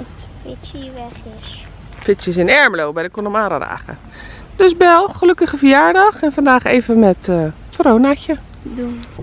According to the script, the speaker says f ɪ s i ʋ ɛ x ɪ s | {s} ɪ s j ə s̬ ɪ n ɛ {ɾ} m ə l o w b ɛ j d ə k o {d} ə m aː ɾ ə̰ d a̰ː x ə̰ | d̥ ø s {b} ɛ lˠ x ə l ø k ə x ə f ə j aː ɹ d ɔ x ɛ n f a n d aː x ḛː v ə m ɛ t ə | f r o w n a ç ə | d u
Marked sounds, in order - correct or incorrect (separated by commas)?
incorrect, incorrect, incorrect, correct